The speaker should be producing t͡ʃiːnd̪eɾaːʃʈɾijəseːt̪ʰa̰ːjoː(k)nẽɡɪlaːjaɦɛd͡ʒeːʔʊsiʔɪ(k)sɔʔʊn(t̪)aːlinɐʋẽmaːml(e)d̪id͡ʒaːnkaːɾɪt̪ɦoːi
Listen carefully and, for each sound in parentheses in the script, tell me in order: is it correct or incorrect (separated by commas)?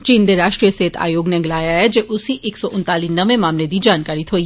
incorrect, correct, correct, correct